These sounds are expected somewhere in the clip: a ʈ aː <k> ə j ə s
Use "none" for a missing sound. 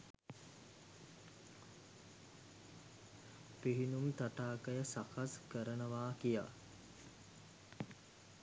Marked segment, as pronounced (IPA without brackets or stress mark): k